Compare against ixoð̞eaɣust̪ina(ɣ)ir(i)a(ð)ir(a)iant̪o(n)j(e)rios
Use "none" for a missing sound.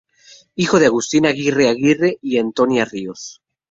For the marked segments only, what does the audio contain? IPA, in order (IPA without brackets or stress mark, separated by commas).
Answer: ɣ, e, ɣ, e, n, a